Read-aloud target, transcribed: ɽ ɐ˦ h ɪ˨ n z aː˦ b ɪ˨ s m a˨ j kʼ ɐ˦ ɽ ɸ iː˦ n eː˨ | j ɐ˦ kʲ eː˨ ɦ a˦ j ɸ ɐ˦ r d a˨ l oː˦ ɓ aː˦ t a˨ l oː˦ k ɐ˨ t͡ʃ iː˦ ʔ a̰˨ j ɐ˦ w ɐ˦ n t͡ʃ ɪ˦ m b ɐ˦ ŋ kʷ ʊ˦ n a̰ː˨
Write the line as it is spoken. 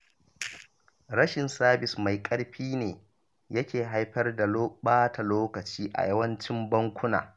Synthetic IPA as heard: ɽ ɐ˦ ʃ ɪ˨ n s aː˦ b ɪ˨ s m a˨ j kʼ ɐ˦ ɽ ɸ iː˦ n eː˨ | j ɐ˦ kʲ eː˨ ɦ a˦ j ɸ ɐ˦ r d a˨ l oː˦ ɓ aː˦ t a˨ l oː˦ k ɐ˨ t͡ʃ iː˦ ʔ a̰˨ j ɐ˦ w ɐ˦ n t͡ʃ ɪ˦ m b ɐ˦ ŋ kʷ ʊ˦ n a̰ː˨